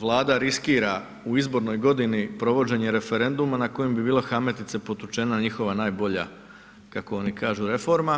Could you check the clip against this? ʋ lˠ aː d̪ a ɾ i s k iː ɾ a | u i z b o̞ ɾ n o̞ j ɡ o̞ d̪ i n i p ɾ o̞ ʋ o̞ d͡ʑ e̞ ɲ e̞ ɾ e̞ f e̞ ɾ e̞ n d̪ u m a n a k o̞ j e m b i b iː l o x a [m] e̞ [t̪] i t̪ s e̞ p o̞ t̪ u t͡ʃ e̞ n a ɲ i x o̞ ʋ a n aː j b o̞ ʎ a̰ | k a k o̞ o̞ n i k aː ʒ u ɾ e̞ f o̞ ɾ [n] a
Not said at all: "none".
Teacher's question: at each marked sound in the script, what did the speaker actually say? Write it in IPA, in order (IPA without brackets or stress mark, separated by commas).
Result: m, t̪, m